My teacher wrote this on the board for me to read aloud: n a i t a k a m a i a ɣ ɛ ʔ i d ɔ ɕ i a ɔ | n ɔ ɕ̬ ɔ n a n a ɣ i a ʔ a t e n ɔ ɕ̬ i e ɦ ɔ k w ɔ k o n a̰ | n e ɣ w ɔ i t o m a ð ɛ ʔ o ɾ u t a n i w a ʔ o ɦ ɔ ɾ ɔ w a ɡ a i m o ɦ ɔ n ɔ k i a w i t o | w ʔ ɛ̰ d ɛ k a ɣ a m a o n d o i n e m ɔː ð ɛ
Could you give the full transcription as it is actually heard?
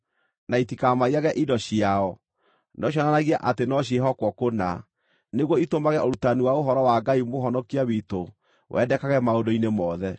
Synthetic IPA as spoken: n a i t i k a m a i a ɣ ɛ ʔ i d ɔ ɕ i a ɔ | n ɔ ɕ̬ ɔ n a n a ɣ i a ʔ a t e n ɔ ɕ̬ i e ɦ ɔ k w ɔ k o n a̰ | n e ɣ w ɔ i t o m a ɣ ɛ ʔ o ɾ u t a n i w a o ɦ ɔ ɾ ɔ w a ɡ a i m o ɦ ɔ n ɔ k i a w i t o | w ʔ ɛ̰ d ɛ k a ɣ ɛ m a o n d o i n e m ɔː ð ɛ